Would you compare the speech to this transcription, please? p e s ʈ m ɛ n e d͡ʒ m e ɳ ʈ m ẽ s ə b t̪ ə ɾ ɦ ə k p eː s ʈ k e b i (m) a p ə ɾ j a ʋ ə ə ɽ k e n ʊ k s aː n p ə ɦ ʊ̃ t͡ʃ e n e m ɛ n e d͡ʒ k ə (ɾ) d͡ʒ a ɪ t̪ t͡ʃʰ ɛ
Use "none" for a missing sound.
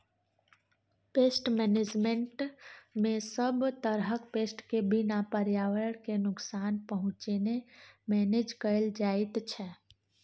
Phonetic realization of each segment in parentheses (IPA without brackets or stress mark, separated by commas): n, l